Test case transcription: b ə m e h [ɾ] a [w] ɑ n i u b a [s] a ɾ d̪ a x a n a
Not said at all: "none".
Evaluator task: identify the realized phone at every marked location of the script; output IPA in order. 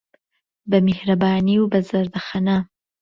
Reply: ɾ, b, z

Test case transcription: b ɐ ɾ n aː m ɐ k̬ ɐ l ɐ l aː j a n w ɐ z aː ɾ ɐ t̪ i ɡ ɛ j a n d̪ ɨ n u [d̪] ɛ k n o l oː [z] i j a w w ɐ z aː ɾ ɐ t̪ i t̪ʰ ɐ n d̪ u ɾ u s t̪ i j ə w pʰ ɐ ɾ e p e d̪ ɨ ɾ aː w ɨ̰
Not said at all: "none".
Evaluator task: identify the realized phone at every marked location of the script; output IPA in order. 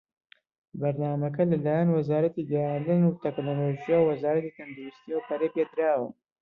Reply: t̪, ʒ

